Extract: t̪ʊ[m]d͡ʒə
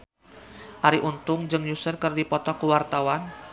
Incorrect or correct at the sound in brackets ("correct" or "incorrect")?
incorrect